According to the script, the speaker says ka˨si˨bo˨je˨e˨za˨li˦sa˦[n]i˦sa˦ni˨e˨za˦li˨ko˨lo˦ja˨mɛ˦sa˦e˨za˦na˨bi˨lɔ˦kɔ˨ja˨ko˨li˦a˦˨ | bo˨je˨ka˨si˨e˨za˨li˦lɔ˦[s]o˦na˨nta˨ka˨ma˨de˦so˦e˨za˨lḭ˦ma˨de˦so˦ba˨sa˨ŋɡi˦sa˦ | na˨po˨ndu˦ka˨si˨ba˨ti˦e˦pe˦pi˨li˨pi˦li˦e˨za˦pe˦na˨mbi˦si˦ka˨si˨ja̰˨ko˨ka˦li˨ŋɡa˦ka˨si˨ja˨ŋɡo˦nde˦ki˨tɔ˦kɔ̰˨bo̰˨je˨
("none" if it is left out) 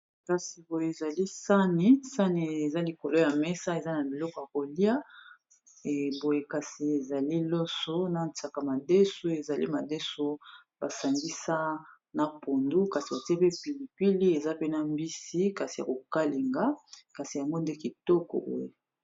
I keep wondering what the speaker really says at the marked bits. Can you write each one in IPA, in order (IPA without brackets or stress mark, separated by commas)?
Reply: n, s